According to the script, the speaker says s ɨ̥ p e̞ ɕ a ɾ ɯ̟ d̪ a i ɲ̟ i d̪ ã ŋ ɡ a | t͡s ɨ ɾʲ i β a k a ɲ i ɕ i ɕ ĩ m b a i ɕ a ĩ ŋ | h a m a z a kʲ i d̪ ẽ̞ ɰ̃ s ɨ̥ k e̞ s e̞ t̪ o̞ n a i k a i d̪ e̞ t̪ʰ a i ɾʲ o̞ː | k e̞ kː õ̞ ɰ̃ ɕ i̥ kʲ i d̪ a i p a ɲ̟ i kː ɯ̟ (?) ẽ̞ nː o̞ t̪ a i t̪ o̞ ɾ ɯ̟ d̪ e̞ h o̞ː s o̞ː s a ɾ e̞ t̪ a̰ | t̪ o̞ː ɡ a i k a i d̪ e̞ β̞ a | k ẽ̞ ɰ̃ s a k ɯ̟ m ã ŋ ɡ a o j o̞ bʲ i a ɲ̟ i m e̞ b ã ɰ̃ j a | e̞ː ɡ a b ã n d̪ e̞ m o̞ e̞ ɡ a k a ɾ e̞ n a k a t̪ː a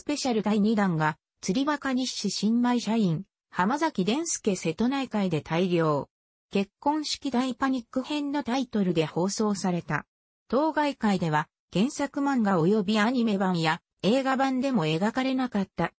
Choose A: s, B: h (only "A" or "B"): B